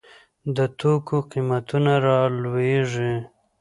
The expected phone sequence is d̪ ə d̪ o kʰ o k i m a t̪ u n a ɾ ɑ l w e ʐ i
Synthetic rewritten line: d̪ ə t̪ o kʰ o q i m a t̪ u n a ɾ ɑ l w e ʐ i